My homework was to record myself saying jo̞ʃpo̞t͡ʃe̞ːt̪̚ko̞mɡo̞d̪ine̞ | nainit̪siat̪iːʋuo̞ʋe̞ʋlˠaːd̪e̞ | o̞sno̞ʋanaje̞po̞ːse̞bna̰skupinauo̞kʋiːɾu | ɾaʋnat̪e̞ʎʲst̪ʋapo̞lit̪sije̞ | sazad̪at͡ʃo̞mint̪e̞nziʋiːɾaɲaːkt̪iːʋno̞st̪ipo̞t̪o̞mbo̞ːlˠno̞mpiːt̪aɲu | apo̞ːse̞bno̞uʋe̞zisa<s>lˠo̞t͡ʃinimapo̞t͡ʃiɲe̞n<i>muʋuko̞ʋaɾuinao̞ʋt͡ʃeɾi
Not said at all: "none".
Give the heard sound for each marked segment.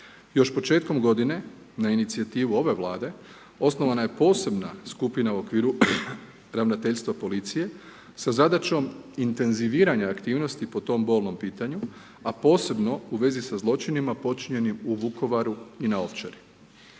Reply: z, i

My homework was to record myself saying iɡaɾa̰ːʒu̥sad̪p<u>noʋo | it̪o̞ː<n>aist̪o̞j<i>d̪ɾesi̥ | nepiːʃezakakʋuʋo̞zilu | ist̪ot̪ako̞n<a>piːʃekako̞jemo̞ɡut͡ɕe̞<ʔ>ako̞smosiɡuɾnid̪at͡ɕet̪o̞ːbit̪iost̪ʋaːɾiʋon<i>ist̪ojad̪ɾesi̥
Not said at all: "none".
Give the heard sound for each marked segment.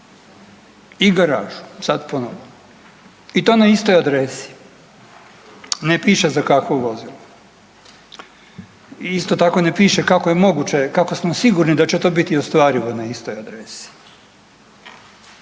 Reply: o, n, a, e, k, a

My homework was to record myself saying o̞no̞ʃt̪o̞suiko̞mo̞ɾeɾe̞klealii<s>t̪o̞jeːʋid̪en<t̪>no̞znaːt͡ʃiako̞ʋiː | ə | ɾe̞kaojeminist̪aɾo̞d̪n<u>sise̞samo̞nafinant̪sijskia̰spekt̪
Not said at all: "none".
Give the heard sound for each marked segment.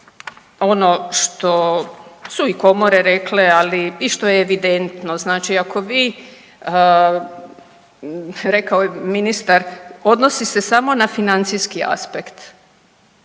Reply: ʃ, t̪, o

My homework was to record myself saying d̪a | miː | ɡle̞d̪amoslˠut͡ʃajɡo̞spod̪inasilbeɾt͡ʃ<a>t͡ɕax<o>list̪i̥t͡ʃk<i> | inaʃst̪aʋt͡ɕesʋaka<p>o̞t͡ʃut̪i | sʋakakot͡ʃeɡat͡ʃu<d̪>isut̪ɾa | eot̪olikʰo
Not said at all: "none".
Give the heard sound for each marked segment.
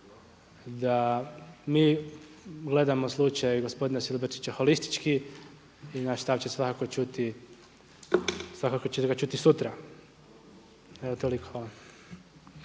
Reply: i, o, i, k, t̪

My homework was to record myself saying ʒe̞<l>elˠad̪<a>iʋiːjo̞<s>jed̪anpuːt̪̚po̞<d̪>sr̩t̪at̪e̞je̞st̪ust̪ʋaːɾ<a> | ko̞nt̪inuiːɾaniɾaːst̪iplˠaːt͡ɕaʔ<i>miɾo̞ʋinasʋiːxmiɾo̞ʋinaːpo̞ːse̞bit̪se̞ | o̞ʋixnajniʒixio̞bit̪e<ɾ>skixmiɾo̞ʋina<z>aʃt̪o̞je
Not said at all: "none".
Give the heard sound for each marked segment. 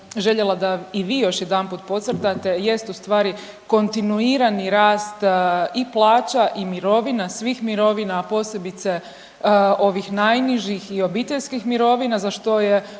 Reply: ʎ, a, ʃ, t̪, i, i, ʎ, z

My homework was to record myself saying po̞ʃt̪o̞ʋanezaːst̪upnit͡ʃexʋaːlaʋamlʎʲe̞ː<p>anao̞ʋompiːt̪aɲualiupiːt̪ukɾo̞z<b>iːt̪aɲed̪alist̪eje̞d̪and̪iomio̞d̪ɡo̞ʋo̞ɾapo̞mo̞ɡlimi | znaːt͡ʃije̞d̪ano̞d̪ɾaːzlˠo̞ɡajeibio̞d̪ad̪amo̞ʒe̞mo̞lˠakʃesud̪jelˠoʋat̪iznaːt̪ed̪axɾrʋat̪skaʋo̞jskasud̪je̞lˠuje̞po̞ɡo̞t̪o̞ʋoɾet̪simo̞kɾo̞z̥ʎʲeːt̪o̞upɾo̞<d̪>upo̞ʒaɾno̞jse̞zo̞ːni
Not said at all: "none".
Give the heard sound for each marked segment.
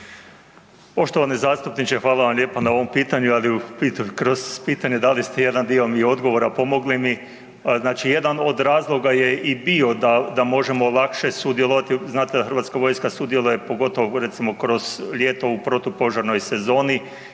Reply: p, p, t̪

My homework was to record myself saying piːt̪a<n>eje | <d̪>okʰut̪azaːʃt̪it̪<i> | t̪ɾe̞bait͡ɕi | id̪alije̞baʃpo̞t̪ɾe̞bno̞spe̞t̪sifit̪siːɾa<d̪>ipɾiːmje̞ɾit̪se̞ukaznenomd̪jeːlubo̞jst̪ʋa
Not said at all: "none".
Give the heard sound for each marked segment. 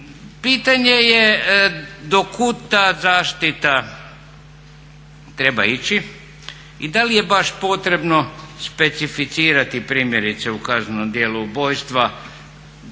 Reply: ɲ, d̪, a, t̪

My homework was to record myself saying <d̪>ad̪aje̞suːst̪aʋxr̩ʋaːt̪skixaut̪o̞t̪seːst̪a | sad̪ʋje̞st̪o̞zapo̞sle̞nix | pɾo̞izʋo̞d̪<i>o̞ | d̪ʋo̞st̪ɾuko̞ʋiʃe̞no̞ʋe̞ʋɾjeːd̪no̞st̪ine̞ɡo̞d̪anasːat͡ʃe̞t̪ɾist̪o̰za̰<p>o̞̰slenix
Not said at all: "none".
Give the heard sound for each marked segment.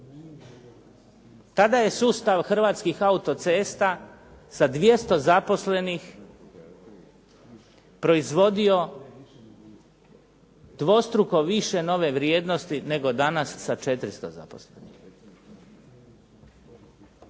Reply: t̪, i, p

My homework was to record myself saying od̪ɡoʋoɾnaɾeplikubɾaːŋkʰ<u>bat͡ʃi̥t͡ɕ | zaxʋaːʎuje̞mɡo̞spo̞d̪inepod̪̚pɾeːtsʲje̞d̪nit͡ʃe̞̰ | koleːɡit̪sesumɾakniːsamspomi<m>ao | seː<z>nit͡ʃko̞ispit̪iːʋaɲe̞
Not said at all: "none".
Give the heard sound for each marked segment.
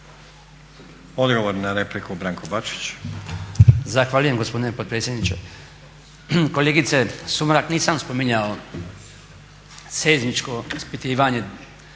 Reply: o, ɲ, z

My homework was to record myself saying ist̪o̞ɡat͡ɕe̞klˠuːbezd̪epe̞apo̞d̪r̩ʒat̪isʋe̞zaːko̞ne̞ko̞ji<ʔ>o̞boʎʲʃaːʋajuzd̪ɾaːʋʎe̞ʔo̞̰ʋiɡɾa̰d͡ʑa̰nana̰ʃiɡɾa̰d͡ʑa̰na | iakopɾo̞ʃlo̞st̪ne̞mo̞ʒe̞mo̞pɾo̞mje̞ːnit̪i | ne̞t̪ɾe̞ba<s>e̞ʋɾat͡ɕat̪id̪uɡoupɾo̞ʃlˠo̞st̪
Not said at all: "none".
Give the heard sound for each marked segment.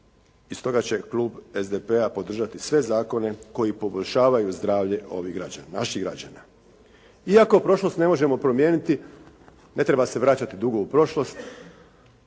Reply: p, s

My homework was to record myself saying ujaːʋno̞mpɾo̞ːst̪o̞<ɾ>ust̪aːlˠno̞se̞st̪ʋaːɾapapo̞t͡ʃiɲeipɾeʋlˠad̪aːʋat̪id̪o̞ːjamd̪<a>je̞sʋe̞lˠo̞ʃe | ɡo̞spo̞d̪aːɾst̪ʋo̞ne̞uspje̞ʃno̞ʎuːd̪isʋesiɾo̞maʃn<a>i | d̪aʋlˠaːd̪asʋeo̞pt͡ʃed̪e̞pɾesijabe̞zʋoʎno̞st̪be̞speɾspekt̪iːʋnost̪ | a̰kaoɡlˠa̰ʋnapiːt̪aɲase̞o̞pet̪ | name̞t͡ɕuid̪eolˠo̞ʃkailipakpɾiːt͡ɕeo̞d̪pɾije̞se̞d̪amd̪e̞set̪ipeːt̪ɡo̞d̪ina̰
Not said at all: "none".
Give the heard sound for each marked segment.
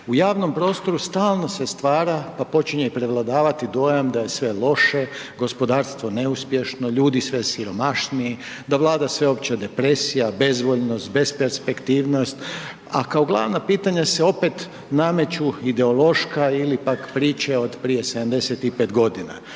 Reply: ɾ, a, i

